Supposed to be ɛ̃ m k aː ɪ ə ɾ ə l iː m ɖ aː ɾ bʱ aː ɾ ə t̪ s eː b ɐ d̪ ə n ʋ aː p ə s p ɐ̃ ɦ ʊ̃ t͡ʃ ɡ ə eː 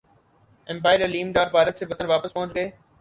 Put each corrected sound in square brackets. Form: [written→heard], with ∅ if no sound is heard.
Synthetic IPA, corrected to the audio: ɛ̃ m [k→p] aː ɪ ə ɾ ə l iː m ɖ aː ɾ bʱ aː ɾ ə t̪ s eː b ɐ [d̪→t̪] ə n ʋ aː p ə s p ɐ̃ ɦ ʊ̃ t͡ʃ ɡ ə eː